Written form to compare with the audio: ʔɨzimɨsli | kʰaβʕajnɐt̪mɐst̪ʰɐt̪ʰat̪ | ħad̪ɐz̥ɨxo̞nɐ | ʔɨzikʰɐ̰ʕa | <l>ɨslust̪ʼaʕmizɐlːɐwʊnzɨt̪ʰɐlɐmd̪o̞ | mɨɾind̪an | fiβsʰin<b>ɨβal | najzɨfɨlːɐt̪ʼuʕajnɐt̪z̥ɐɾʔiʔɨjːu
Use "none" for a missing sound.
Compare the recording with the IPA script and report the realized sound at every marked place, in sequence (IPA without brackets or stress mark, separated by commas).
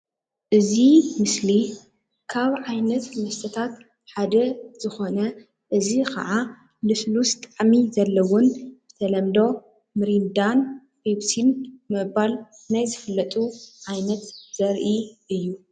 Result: l, m